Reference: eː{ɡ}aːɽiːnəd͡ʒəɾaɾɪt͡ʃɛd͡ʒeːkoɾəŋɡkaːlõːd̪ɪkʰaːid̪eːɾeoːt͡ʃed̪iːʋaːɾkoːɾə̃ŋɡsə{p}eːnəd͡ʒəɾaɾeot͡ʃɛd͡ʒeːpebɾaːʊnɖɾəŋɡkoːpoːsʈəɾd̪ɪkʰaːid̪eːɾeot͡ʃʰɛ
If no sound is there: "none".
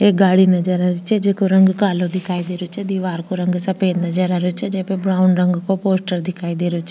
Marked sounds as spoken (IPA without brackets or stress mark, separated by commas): ɡ, p